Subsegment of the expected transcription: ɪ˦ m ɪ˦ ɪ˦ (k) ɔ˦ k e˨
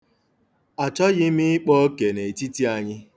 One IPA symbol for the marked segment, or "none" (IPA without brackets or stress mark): k͡p